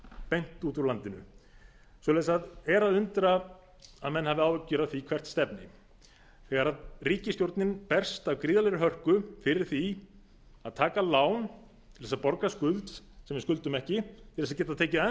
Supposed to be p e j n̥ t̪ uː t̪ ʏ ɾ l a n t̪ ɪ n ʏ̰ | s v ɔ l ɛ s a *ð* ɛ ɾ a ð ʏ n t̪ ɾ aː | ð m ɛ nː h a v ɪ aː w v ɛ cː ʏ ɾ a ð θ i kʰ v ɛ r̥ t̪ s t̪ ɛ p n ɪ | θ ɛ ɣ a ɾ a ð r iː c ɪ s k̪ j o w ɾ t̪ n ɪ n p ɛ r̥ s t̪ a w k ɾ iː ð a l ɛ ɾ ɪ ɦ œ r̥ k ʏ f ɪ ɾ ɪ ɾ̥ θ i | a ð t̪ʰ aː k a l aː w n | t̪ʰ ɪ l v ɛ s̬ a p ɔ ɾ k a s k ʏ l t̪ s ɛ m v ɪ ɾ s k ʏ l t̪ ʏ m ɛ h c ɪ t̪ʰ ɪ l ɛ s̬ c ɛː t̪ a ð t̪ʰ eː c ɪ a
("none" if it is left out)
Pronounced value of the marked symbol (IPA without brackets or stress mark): ð